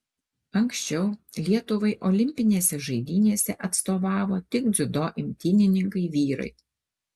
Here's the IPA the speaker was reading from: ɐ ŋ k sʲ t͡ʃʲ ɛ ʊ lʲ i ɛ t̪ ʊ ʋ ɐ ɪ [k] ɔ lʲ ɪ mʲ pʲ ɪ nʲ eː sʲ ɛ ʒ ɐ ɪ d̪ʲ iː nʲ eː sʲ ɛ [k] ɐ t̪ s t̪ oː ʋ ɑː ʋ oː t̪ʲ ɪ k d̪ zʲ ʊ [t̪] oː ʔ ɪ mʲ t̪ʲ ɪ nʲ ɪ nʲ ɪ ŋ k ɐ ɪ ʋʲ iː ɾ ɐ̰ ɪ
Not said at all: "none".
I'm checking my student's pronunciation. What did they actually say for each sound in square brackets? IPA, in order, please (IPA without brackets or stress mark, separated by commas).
ʔ, ʔ, d̪